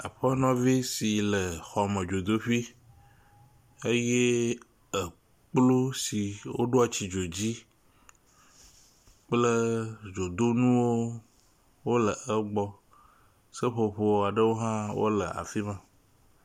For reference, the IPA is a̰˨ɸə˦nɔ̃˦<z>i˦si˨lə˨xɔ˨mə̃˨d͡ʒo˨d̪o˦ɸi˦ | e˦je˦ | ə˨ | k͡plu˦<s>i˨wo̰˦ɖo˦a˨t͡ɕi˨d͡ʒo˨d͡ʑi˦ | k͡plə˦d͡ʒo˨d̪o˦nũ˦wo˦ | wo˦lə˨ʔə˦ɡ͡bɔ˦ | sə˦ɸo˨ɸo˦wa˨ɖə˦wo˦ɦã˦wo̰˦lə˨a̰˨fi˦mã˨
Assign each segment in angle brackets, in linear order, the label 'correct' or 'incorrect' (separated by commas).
incorrect, correct